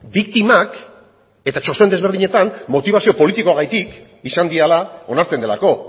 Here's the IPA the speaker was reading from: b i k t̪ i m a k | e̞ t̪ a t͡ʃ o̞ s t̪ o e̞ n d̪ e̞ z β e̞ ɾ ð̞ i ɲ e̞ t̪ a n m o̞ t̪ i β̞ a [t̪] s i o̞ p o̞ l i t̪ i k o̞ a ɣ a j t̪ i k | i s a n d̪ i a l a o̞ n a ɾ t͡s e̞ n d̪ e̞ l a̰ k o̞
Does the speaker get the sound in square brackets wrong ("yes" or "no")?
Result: yes